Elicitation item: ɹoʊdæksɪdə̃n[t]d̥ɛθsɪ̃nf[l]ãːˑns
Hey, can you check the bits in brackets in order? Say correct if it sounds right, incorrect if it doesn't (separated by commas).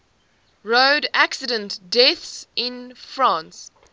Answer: correct, incorrect